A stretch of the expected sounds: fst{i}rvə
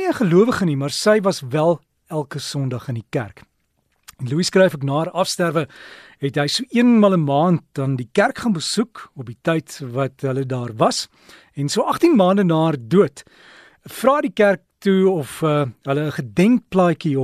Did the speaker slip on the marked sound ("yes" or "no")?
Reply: yes